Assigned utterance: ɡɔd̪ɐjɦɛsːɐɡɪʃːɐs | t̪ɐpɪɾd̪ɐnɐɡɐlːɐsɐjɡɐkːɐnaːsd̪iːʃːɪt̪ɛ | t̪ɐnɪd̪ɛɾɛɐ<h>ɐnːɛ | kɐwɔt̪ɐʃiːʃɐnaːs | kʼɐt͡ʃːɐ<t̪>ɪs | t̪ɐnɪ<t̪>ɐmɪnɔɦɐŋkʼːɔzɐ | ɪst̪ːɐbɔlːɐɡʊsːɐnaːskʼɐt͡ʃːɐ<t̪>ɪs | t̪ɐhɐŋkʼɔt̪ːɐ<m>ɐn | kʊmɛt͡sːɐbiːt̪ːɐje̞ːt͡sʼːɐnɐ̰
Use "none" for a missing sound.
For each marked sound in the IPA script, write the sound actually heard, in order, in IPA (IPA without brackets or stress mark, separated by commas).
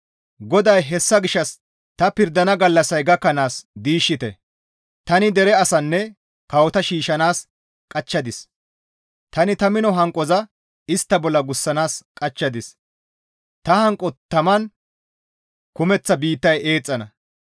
s, d̪, t̪, d̪, m